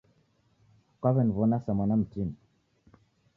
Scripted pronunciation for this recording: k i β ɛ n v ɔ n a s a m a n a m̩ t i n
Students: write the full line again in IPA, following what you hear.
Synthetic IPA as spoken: k a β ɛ n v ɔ n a s a m a n a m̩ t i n

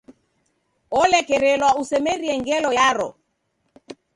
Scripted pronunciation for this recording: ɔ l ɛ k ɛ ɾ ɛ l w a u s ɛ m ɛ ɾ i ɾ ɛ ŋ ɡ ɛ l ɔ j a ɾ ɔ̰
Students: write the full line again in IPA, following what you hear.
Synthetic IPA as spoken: ɔ l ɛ k ɛ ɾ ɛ l w a u s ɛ m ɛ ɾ i ɛ ŋ ɡ ɛ l ɔ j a ɾ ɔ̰

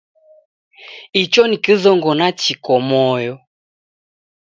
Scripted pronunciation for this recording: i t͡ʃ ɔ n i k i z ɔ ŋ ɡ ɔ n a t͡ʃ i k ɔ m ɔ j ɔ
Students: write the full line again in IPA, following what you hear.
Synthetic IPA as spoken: i t͡ʃ ɔ n i k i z ɔ ŋ ɡ ɔ n a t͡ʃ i k ɔ m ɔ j ɔ

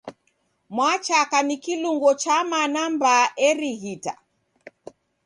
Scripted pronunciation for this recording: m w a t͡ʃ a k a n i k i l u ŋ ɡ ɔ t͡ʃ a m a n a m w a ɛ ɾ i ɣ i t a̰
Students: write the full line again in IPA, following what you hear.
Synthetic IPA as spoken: m w a t͡ʃ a k a n i k i l u ŋ ɡ ɔ t͡ʃ a m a n a m b a ɛ ɾ i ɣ i t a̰

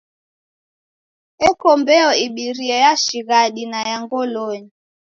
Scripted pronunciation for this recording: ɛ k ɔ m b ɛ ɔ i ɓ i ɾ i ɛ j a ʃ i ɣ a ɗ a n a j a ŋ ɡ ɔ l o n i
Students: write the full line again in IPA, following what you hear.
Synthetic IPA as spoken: ɛ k ɔ m b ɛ ɔ i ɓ i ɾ i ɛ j a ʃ i ɣ a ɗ i n a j a ŋ ɡ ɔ l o ɲ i

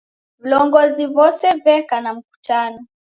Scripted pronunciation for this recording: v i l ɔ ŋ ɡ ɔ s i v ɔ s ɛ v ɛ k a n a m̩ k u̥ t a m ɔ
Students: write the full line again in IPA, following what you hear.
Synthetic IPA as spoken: v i l ɔ ŋ ɡ ɔ z i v ɔ s ɛ v ɛ k a n a m̩ k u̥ t a n ɔ

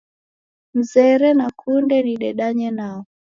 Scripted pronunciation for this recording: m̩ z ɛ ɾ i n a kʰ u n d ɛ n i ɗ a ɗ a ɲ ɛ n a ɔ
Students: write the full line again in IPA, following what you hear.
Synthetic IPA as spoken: m̩ z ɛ ɾ ɛ n a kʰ u n d ɛ n i ɗ ɛ ɗ a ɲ ɛ n a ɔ

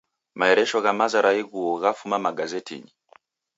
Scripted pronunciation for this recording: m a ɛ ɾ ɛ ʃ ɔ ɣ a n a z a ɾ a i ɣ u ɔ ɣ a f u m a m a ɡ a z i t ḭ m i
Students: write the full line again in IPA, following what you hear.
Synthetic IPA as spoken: m a ɛ ɾ ɛ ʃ ɔ ɣ a m a z a ɾ a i ɣ u ɔ ɣ a f u m a m a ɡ a z ɛ t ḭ ɲ i

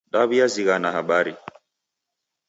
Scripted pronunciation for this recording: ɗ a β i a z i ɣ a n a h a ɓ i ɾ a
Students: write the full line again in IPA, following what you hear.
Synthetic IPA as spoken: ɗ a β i a z i ɣ a n a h a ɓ a ɾ i

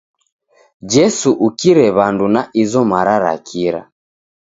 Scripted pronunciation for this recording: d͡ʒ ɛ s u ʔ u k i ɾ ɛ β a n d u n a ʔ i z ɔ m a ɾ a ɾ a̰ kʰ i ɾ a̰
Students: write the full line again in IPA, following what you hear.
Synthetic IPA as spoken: d͡ʒ ɛ s u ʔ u k i ɾ ɛ β a n d u n a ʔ i z ɔ m a ɾ a ɾ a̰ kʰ i ɾ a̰

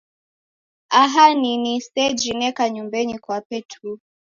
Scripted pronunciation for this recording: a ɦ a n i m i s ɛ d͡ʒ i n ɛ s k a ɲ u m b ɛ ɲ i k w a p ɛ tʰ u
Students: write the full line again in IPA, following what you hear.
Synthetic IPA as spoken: a ɦ a n i n i s ɛ d͡ʒ i n ɛ k a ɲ u m b ɛ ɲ i k w a p ɛ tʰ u

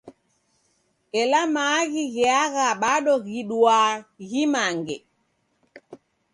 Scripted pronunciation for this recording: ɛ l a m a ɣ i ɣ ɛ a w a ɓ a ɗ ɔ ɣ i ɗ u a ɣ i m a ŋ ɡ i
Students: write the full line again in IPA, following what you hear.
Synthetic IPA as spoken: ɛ l a m a ɣ i ɣ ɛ a ɣ a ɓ a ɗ ɔ ɣ i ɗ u a ɣ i m a ŋ ɡ ɛ

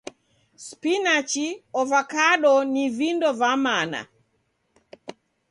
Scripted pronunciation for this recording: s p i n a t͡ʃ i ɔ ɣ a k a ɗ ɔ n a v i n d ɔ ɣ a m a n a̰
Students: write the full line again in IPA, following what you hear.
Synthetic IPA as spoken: s p i n a t͡ʃ i ɔ v a k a ɗ ɔ n i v i n d ɔ v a m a n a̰

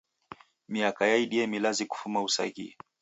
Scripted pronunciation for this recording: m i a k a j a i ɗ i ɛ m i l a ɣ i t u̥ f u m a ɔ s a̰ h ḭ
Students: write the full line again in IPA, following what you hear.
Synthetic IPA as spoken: m i a k a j a i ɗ i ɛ m i l a z i k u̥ f u m a u s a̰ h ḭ

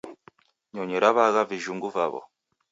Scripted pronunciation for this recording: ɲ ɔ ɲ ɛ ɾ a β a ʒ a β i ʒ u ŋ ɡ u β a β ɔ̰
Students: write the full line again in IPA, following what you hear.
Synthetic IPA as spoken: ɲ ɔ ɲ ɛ ɾ a β a ɣ a v i ʒ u ŋ ɡ u v a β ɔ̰

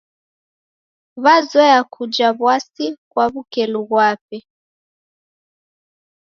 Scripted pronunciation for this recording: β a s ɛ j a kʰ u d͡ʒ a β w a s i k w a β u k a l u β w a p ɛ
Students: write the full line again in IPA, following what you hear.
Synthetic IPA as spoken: β a z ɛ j a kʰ u d͡ʒ a β w a s i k w a β u k ɛ l u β w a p ɛ

